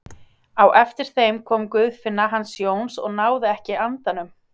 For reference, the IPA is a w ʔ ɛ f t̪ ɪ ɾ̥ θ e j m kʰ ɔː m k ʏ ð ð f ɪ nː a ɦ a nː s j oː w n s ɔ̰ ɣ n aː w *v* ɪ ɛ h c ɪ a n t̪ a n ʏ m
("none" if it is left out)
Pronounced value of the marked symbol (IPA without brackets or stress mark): ð